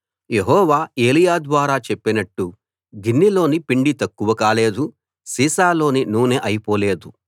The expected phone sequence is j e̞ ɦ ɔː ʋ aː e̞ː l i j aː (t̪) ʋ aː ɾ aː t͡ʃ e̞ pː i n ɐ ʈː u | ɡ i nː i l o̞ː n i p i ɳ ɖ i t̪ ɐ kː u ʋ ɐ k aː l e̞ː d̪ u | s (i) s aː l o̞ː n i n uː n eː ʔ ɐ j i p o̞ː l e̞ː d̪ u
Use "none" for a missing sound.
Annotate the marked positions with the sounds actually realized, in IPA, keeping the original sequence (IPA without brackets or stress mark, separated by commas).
d̪, iː